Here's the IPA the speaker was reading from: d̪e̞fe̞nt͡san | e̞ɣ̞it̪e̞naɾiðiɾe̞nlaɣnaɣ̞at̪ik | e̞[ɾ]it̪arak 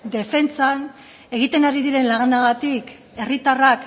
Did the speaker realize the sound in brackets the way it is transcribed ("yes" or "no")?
no